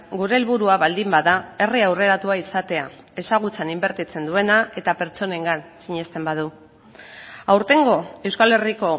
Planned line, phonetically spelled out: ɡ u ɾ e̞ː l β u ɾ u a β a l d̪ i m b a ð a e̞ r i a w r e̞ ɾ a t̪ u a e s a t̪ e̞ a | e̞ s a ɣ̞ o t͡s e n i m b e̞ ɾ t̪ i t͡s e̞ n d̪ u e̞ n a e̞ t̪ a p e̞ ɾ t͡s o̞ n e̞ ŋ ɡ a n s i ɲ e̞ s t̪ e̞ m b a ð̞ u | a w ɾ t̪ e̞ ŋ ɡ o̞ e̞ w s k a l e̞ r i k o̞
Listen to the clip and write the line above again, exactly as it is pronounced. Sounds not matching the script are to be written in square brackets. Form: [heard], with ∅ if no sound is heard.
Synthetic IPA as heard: ɡ u ɾ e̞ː l β u ɾ u a β a l d̪ i m b a ð a e̞ r i a w r e̞ ɾ a t̪ u a [i] s a t̪ e̞ a | e̞ s a ɣ̞ [u] t͡s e n i m b e̞ ɾ t̪ i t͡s e̞ n d̪ u e̞ n a e̞ t̪ a p e̞ ɾ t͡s o̞ n e̞ ŋ ɡ a n s i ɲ e̞ s t̪ e̞ m b a ð̞ u | a w ɾ t̪ e̞ ŋ ɡ o̞ e̞ w s k a l e̞ r i k o̞